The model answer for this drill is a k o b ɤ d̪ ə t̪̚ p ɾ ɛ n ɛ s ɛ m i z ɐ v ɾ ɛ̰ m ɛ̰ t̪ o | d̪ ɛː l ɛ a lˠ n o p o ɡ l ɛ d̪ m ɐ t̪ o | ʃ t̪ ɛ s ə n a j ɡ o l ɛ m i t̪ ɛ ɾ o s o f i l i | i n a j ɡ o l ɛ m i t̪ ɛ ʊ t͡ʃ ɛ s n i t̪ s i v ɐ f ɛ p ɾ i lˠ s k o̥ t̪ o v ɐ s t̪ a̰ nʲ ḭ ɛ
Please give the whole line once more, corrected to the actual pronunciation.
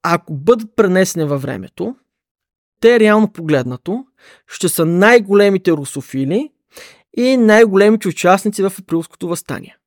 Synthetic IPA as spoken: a k o b ɤ d̪ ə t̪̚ p ɾ ɛ n ɛ s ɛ n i v ɐ v ɾ ɛ̰ m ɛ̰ t̪ o | t̪ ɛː ɾ ɛ a lˠ n o p o ɡ l ɛ d̪ n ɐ t̪ o | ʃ t̪ ɛ s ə n a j ɡ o l ɛ m i t̪ ɛ ɾ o s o f i l i | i n a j ɡ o l ɛ m i t̪ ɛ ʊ t͡ʃ a s n i t̪ s i v ɐ f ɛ p ɾ i lˠ s k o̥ t̪ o v ɐ s t̪ a̰ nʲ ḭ ɛ